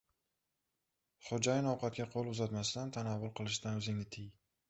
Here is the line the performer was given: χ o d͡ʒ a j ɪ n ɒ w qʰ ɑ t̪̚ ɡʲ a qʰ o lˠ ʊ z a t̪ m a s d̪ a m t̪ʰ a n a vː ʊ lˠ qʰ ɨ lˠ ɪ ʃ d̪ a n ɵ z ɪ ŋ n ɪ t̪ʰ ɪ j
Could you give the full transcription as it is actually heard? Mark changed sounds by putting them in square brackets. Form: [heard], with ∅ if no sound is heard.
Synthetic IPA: χ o d͡ʒ a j ɪ n ɒ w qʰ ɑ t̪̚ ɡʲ a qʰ o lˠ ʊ z a t̪ m a s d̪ a [n] t̪ʰ a n a vː ʊ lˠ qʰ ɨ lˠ ɪ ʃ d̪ a n ɵ z ɪ ŋ n ɪ t̪ʰ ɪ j